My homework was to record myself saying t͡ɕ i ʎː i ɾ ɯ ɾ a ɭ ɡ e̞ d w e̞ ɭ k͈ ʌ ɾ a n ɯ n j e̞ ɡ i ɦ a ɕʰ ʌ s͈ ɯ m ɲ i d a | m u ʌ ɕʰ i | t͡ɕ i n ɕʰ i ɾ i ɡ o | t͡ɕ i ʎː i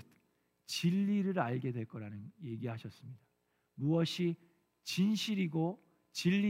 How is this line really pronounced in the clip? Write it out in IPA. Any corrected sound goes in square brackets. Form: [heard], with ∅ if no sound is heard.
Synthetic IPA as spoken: t͡ɕ i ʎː i ɾ ɯ ɾ a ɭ ɡ e̞ d w e̞ ɭ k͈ ʌ ɾ a n ɯ n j e̞ ɡ i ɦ a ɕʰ ʌ s͈ ɯ m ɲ i d a | m u ʌ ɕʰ i | t͡ɕ i n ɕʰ i ɾ i ɡ o | t͡ɕ i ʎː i